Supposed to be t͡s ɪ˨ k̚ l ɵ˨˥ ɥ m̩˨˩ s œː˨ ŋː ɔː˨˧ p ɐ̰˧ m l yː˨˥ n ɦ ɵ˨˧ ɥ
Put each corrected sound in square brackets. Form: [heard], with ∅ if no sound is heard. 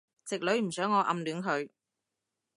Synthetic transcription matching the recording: t͡s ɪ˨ k̚ l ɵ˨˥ ɥ m̩˨˩ s [œː˨˥] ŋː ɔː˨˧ [ʔ] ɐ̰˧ m l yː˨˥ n ɦ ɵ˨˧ ɥ